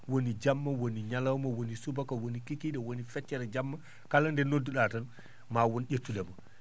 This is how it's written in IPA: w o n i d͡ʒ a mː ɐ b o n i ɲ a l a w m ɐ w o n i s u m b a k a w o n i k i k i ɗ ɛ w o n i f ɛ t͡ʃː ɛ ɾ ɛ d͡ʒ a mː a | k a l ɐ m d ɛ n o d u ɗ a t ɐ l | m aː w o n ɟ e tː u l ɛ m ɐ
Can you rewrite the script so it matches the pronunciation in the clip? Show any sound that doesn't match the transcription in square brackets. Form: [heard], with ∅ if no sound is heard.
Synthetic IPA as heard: w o n i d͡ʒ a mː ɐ [w] o n i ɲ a l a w m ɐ w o n i s u [∅] b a k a w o n i k i k i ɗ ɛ w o n i f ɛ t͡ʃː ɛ ɾ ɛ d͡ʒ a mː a | k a l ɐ [n] d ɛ n o d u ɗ a t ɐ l | m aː w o n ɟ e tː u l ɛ m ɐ